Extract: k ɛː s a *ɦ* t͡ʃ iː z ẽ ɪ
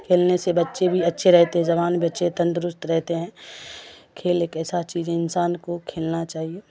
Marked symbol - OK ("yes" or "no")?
no